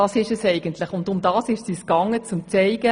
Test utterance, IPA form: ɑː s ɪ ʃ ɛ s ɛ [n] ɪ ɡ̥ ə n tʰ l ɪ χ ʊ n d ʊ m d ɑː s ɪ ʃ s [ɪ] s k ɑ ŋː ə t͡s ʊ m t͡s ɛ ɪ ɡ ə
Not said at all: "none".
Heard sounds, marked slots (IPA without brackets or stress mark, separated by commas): none, i